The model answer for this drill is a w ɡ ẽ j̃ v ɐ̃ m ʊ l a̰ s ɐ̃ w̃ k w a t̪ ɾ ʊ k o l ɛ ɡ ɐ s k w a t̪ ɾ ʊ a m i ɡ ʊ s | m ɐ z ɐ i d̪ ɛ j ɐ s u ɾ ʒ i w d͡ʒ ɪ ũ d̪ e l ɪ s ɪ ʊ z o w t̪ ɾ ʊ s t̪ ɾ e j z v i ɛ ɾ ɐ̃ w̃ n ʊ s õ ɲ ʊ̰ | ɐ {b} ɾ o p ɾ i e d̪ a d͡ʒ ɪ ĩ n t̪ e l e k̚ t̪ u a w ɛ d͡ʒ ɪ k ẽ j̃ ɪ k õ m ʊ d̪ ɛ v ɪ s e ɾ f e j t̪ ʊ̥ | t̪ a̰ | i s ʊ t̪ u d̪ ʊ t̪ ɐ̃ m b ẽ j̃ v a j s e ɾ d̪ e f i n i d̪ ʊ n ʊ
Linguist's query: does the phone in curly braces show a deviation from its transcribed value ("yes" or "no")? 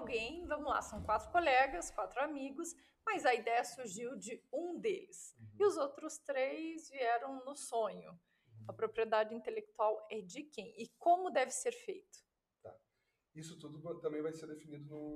yes